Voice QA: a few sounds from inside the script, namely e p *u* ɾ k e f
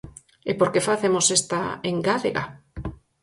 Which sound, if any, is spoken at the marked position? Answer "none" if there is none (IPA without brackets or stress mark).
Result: o